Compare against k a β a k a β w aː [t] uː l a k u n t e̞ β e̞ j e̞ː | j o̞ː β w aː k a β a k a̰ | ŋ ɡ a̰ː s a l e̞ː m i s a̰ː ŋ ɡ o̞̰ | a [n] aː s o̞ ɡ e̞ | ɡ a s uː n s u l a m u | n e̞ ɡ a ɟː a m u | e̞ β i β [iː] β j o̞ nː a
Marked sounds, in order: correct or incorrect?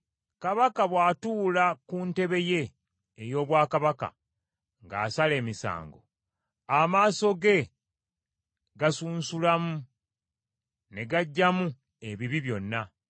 correct, incorrect: m, incorrect: i

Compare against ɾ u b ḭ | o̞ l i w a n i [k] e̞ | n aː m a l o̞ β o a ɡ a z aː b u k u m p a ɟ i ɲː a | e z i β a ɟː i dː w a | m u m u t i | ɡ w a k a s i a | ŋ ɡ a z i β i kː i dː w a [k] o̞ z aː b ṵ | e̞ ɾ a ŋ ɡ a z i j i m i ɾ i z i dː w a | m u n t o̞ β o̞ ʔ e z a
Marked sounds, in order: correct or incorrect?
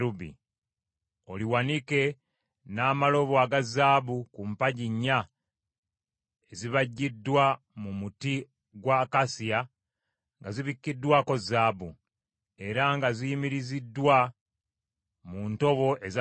correct, correct

